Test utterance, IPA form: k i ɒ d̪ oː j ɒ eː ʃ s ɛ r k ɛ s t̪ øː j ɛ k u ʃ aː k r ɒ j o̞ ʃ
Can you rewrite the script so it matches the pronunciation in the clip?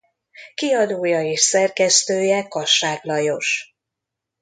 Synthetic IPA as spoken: k i ɒ d̪ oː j ɒ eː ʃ s ɛ r k ɛ s t̪ øː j ɛ k ɒ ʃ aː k l ɒ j o̞ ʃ